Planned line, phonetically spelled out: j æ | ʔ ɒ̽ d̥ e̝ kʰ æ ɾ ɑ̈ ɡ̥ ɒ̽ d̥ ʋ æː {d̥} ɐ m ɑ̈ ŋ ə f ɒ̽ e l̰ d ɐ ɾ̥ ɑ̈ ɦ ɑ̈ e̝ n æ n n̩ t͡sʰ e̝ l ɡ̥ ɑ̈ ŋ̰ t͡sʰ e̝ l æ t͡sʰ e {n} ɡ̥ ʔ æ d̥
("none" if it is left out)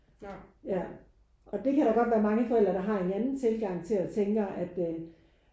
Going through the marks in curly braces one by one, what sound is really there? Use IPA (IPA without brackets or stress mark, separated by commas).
none, ŋ